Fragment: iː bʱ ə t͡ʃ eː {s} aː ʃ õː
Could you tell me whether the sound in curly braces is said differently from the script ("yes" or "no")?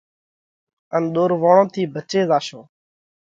yes